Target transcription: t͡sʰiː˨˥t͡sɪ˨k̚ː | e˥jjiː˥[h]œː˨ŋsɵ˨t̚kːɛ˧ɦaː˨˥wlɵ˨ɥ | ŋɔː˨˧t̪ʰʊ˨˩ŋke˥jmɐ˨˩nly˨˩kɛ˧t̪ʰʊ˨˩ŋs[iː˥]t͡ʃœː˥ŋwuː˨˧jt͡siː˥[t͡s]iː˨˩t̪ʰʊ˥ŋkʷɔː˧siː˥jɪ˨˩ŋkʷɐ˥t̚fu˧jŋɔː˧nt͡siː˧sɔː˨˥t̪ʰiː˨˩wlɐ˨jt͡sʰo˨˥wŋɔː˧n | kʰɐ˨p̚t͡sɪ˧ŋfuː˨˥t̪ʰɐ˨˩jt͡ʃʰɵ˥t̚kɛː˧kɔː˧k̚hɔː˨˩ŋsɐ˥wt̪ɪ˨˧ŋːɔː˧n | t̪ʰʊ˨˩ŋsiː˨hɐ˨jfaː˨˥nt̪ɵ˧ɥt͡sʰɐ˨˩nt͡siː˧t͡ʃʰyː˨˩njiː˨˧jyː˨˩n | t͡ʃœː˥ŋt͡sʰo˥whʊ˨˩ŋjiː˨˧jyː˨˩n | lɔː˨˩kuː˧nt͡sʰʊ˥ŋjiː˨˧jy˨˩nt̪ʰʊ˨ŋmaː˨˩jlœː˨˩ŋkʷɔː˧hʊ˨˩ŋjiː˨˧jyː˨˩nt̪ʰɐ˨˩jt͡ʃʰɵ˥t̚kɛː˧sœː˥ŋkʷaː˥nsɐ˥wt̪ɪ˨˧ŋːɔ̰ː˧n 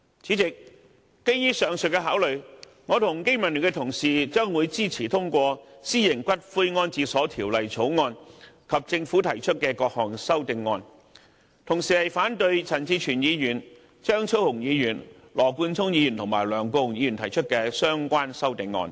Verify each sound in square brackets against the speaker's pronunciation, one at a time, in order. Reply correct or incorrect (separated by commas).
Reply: incorrect, incorrect, incorrect